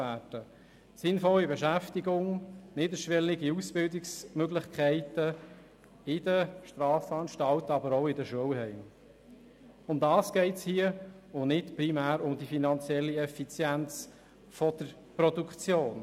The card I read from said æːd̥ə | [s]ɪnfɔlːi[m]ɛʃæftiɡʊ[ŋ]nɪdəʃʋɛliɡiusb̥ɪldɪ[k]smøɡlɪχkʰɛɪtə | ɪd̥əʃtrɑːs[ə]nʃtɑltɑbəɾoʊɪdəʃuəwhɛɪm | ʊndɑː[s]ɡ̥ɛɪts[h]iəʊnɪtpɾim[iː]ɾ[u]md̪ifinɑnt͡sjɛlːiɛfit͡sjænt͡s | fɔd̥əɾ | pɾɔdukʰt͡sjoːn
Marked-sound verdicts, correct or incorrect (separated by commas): correct, incorrect, correct, correct, incorrect, correct, correct, incorrect, incorrect